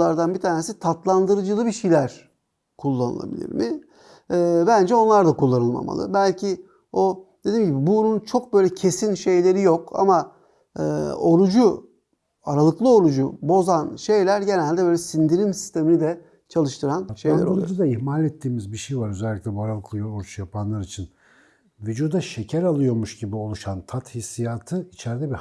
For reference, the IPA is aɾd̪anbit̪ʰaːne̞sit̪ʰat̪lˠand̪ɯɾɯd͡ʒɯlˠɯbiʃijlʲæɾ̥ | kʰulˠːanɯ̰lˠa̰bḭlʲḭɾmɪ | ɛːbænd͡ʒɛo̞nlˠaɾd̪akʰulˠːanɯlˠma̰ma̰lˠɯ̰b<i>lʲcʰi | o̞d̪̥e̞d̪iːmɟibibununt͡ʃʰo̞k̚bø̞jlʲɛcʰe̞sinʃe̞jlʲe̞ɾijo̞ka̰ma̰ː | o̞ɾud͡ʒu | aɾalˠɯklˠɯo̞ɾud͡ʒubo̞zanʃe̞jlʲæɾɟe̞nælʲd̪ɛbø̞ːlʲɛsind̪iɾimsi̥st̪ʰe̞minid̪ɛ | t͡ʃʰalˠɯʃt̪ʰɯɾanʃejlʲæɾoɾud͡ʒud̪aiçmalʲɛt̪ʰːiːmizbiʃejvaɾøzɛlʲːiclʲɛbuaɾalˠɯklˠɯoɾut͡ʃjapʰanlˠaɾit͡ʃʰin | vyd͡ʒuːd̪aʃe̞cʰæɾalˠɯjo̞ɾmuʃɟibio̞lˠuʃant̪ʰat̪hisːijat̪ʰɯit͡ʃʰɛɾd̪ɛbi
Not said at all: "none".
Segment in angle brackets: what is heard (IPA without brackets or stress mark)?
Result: æ